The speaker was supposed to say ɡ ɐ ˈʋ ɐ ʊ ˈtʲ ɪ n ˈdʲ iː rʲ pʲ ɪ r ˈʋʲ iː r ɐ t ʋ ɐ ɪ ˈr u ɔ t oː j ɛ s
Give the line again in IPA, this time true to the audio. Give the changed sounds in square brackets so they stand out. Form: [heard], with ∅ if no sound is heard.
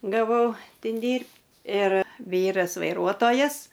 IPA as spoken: ɡ ɐ ˈʋ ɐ ʊ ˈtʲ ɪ n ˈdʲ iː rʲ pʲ ɪ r ˈʋʲ iː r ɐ [s] ʋ ɐ ɪ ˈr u ɔ t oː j ɛ s